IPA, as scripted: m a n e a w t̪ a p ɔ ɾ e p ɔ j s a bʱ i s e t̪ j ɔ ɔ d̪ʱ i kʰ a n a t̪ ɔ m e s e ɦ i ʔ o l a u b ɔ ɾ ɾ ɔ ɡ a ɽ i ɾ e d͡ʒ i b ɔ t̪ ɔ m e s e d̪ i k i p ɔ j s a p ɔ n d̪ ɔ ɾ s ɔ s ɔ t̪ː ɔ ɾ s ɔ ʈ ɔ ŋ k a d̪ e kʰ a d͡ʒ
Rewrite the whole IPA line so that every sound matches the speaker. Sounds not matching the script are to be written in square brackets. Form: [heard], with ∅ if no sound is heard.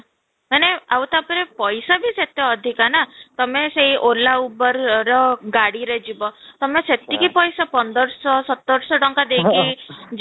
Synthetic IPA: m a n e a w t̪ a p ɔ ɾ e p ɔ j s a bʱ i s e t̪ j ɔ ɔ d̪ʱ i [k] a n a t̪ ɔ m e s e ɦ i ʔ o l a u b ɔ ɾ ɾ ɔ ɡ a ɽ i ɾ e d͡ʒ i b ɔ t̪ ɔ m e s e [t̪] i k i p ɔ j s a p ɔ n d̪ ɔ ɾ s ɔ s ɔ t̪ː ɔ ɾ s ɔ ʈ ɔ ŋ k a d̪ e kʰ [i] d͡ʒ